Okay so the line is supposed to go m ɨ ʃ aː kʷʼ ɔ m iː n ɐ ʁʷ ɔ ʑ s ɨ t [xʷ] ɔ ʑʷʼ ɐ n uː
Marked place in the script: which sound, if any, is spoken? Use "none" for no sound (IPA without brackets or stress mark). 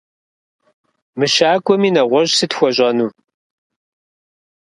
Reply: xʷ